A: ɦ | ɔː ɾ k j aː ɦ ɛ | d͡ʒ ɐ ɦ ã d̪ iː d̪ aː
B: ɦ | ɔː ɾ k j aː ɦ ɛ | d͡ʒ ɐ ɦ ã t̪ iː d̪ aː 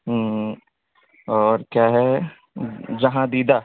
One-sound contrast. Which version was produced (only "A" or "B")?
A